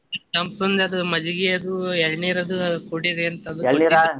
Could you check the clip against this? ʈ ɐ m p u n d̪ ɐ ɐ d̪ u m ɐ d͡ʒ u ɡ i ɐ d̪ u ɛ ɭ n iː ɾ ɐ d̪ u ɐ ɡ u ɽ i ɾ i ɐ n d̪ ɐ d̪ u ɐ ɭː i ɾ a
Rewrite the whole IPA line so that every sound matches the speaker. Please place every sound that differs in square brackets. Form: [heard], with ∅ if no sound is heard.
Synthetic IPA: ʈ ɐ m p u n d̪ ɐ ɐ d̪ u m ɐ d͡ʒ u ɡ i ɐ d̪ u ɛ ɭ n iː ɾ ɐ d̪ u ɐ [k] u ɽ i ɾ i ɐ n [t̪] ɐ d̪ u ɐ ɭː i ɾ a